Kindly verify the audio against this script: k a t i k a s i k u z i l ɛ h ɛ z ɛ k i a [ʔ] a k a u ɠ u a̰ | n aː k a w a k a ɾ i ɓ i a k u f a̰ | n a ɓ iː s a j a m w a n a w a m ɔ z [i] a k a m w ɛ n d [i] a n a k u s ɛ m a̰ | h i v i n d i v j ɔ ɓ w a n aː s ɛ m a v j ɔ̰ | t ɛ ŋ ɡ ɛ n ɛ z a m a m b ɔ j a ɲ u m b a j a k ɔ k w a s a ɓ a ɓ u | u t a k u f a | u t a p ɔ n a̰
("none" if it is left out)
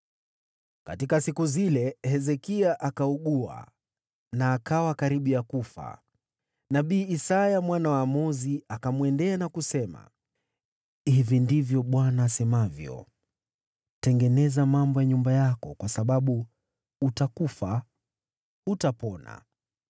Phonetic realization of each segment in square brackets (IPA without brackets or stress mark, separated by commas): ʔ, i, ɛ